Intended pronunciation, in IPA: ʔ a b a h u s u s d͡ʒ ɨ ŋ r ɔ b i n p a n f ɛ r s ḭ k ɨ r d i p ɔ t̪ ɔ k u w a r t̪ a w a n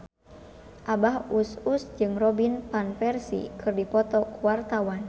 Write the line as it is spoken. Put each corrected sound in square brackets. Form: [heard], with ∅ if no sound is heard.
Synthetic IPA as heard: ʔ a b a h u s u s d͡ʒ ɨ ŋ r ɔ b i n p a n f ɛ r s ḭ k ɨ r d i p ɔ t̪ ɔ k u w a r t̪ a w a n